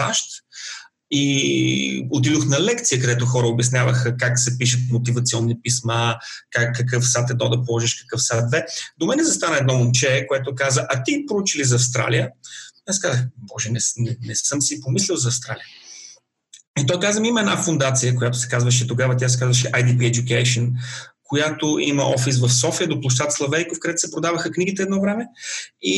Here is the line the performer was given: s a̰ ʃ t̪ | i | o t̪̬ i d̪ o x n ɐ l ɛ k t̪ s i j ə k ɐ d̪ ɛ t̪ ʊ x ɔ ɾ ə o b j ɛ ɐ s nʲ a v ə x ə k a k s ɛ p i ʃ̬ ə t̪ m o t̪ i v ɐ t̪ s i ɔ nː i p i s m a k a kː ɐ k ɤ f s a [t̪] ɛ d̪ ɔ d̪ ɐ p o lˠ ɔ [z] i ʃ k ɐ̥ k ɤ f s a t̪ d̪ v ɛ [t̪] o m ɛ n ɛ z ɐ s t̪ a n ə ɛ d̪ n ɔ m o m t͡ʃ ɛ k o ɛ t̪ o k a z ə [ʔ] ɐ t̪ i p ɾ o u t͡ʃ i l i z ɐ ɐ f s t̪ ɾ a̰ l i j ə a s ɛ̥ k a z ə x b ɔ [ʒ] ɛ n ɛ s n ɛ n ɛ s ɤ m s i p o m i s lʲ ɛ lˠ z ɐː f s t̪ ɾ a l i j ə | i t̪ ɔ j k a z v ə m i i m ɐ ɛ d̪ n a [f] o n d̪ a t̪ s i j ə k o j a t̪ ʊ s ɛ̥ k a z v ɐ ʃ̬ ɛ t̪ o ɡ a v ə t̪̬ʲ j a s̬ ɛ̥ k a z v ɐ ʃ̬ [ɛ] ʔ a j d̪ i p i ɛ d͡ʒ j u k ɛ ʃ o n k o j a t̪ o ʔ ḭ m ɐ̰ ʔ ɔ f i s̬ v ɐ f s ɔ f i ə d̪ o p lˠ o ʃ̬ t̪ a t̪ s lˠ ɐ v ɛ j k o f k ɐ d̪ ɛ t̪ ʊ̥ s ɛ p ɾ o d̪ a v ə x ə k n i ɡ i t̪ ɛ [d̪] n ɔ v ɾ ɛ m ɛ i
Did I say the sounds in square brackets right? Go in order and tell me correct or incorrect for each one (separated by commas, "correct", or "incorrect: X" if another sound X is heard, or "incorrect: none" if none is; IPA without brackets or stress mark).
correct, incorrect: ʒ, incorrect: d̪, correct, correct, correct, correct, correct